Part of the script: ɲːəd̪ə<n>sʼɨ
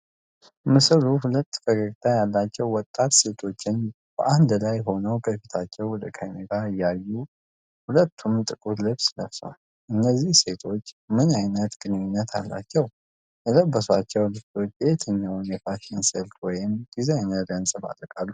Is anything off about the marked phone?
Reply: no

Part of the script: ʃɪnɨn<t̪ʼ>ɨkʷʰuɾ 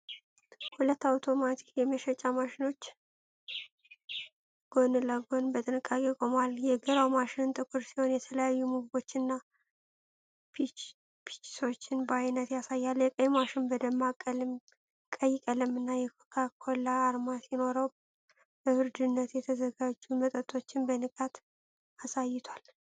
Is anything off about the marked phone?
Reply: no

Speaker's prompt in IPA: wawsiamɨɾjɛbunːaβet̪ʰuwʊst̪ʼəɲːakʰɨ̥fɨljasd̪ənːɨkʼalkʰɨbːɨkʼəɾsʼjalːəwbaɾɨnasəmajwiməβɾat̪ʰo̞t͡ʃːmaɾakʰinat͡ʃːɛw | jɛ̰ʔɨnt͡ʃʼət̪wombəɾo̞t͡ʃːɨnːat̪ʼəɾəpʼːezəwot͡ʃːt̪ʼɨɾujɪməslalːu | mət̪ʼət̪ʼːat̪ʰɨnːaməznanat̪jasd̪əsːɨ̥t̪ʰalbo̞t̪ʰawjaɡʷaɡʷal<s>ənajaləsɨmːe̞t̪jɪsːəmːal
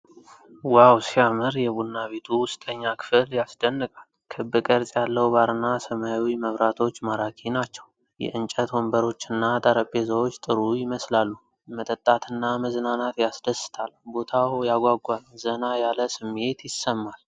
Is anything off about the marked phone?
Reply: yes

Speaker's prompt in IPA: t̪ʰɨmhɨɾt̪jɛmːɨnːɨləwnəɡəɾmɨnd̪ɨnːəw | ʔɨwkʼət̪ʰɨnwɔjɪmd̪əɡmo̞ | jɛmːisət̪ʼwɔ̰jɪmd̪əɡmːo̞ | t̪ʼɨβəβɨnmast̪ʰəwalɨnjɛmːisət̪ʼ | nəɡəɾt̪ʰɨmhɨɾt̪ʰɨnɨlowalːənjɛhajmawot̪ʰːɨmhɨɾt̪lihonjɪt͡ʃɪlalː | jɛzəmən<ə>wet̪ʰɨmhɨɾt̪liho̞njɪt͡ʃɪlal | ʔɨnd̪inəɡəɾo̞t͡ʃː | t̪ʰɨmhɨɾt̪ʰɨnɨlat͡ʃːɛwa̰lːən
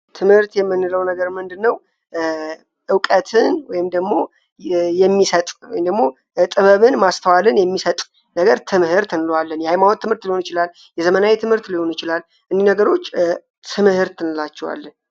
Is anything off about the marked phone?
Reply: yes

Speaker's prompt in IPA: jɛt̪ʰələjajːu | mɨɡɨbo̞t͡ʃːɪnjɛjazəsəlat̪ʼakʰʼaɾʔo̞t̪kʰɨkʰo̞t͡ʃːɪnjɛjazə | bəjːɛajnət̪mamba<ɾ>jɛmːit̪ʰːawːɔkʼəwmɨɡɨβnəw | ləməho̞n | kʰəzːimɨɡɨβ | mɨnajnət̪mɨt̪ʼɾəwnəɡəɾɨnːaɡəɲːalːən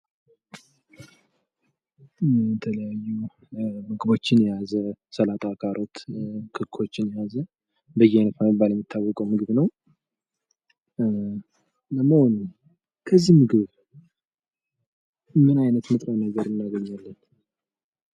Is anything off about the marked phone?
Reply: yes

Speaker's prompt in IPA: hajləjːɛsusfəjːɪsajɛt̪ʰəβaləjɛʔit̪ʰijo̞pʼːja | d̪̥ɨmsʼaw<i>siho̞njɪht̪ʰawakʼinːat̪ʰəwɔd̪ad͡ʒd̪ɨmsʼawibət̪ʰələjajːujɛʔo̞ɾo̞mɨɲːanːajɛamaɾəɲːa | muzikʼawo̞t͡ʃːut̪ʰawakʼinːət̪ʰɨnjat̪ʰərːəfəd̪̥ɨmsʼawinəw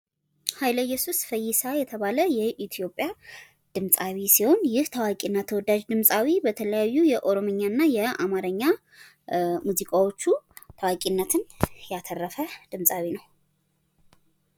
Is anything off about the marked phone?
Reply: no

